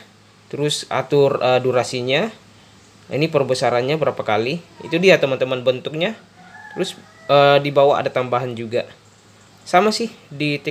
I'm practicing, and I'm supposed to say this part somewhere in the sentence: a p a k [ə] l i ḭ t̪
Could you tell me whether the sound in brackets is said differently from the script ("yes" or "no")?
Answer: yes